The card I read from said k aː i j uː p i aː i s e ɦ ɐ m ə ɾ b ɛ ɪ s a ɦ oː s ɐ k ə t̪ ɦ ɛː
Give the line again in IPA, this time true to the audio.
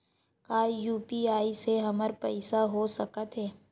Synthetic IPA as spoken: k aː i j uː p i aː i s e ɦ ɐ m ə ɾ p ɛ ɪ s a ɦ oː s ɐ k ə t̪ ɦ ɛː